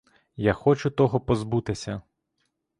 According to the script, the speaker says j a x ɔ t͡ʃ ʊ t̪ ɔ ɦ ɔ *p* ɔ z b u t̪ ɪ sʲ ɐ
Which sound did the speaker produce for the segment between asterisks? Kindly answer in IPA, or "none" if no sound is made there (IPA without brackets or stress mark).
p